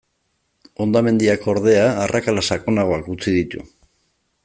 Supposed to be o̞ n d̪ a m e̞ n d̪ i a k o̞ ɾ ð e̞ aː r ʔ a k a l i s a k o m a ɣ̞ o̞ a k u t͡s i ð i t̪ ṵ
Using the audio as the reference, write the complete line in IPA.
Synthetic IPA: o̞ n d̪ a m e̞ n d̪ i a k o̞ ɾ ð e̞ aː r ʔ a k a l a s a k o n a ɣ̞ o̞ a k u t͡s i ð i t̪ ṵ